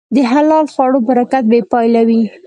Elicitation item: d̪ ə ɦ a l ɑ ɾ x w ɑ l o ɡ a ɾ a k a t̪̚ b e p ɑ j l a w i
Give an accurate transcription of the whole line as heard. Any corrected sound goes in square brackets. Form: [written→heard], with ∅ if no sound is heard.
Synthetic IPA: d̪ ə ɦ a l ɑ [ɾ→l] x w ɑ [l→ɽ] o [ɡ→b] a ɾ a k a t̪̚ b e p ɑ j l a w i